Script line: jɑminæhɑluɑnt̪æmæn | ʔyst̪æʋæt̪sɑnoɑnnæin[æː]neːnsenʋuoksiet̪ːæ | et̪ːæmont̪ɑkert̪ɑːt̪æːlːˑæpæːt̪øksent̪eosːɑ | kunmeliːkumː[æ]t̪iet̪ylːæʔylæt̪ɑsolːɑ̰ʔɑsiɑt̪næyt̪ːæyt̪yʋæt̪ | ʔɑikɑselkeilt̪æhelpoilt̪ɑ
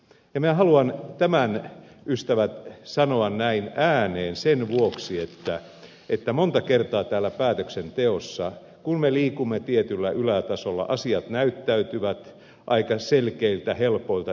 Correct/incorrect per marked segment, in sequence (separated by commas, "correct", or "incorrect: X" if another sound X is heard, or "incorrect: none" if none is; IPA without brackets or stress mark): correct, incorrect: e